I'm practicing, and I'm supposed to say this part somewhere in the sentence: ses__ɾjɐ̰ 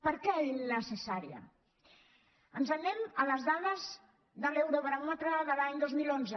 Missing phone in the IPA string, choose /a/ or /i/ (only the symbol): a